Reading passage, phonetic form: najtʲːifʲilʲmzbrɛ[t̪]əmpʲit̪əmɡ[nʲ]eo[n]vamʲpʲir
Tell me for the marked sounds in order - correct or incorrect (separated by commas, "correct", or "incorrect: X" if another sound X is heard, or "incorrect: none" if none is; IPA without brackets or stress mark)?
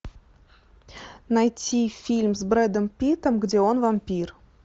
incorrect: d̪, incorrect: dʲ, correct